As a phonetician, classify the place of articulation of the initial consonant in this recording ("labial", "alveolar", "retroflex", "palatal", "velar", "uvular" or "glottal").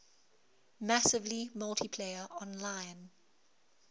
labial